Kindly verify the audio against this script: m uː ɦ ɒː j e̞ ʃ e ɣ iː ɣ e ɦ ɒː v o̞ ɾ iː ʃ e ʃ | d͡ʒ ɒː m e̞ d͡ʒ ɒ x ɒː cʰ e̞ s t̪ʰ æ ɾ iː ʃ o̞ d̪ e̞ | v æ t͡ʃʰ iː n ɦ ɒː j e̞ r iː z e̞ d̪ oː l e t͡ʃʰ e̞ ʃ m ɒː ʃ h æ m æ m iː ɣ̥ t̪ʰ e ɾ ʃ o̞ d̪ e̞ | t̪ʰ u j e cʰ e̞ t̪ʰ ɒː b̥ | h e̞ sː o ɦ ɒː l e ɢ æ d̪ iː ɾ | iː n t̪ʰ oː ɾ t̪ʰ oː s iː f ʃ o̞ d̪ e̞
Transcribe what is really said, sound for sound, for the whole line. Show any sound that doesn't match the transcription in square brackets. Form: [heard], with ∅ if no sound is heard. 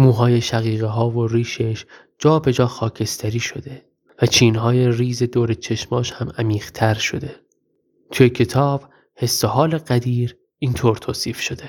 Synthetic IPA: m uː ɦ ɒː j e̞ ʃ [æ] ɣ iː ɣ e ɦ ɒː v o̞ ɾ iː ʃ e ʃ | d͡ʒ ɒː [b] e̞ d͡ʒ [ɒː] x ɒː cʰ e̞ s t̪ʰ æ ɾ iː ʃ o̞ d̪ e̞ | v æ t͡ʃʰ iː n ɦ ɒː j e̞ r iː z e̞ d̪ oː [ɾ] e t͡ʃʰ e̞ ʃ m ɒː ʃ h æ m æ m iː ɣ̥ t̪ʰ [æ] ɾ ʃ o̞ d̪ e̞ | t̪ʰ u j e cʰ e̞ t̪ʰ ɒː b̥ | h e̞ sː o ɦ ɒː l e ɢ æ d̪ iː ɾ | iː n t̪ʰ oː ɾ t̪ʰ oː s iː f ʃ o̞ d̪ e̞